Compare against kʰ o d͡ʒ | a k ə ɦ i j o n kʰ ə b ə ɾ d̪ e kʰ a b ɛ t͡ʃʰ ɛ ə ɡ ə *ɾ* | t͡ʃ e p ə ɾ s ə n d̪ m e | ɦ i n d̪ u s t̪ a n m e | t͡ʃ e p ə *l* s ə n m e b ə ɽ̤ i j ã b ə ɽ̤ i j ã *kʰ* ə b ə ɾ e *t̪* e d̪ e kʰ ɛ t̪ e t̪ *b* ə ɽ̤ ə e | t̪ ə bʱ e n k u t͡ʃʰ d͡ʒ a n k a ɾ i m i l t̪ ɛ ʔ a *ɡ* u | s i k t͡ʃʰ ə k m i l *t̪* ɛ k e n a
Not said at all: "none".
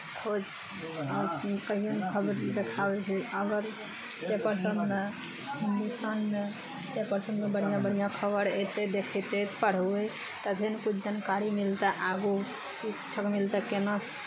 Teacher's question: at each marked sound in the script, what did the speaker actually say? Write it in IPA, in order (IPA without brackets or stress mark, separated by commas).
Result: ɾ, ɾ, kʰ, t̪, p, ɡ, t̪